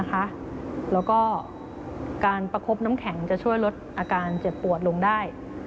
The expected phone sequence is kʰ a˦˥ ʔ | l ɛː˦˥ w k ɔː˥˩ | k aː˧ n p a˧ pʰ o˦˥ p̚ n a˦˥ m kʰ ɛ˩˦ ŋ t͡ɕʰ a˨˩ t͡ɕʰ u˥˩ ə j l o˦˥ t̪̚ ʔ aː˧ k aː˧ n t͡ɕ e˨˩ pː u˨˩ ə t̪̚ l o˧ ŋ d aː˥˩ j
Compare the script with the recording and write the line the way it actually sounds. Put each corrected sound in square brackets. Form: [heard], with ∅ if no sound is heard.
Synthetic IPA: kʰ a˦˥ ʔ | l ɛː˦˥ w k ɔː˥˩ | k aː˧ n p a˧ [kʰ] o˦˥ p̚ n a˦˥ m kʰ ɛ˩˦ ŋ [t͡ɕ] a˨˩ t͡ɕʰ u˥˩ ə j l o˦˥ t̪̚ ʔ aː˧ k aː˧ n t͡ɕ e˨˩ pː u˨˩ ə t̪̚ l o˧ ŋ d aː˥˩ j